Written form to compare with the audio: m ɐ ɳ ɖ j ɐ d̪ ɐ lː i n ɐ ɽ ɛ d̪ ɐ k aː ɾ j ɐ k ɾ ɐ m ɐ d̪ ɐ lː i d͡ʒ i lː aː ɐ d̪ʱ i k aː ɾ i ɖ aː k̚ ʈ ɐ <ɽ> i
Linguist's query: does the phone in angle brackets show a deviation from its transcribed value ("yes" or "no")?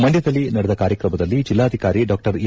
yes